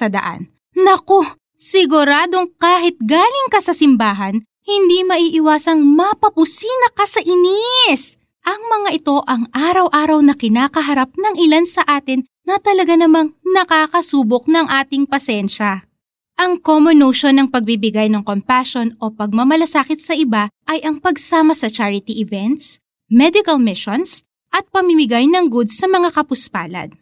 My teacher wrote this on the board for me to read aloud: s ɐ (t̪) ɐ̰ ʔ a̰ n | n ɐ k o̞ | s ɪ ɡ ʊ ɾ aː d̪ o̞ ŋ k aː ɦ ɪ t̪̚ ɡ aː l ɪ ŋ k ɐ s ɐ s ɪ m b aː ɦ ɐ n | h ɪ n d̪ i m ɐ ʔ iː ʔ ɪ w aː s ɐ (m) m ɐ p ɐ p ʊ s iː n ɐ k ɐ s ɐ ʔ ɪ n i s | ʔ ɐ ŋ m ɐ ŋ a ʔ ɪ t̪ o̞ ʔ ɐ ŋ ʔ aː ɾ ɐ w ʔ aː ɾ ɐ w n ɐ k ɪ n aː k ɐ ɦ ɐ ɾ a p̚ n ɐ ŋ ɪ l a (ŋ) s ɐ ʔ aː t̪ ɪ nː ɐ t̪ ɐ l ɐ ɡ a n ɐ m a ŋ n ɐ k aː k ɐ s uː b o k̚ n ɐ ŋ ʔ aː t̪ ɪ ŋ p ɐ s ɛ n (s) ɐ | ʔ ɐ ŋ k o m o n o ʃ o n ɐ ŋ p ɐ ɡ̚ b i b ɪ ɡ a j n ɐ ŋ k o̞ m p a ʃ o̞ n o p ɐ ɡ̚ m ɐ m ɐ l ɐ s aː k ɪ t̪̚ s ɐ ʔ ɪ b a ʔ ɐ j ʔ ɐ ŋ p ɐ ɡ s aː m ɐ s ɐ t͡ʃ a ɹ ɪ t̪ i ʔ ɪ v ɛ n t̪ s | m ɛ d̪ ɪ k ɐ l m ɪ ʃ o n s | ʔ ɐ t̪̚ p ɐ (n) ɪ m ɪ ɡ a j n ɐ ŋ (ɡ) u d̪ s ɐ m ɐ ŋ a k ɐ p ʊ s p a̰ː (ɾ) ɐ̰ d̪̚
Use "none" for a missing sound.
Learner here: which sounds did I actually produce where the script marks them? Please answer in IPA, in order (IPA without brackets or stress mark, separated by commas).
d̪, ŋ, n, ʃ, m, ɡ, l